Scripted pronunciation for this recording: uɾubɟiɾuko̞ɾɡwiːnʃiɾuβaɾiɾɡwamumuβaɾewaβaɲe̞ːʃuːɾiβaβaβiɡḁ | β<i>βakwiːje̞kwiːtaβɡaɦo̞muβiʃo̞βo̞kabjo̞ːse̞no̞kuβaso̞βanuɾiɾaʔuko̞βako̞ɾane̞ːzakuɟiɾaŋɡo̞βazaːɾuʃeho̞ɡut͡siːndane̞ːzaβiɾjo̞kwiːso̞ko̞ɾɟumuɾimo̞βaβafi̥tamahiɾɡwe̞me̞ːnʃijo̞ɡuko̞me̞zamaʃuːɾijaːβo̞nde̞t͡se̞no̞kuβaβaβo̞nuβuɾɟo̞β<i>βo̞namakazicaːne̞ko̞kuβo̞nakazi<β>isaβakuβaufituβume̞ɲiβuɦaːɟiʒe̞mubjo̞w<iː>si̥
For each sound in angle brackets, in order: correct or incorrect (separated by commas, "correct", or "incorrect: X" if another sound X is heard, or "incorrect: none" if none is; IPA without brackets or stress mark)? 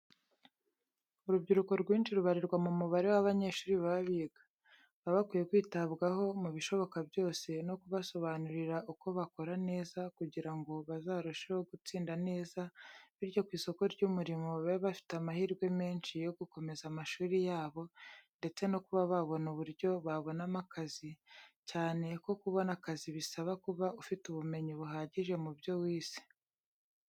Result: incorrect: a, incorrect: a, correct, correct